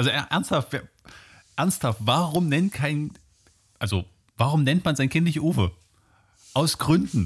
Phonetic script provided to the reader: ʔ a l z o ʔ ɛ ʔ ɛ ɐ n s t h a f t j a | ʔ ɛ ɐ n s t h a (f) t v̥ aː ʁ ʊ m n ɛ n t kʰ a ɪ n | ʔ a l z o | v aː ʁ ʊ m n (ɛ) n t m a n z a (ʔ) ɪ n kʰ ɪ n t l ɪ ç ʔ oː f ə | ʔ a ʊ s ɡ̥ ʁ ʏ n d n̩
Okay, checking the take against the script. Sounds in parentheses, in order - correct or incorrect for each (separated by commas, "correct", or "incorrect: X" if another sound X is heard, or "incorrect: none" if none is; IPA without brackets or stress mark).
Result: correct, correct, incorrect: none